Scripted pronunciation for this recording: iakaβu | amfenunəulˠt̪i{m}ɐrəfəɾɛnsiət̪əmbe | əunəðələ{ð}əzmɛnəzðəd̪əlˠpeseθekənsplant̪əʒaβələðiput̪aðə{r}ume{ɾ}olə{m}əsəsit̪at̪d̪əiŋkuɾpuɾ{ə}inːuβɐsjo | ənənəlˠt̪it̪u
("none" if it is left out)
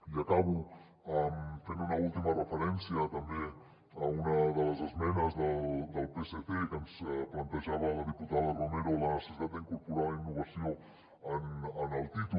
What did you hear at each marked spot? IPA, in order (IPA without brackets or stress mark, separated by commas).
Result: m, z, r, ɾ, n, a